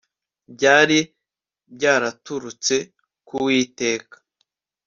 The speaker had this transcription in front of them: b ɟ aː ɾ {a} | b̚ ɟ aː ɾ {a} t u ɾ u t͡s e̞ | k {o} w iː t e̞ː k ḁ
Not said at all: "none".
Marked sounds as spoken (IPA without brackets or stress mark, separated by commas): i, a, u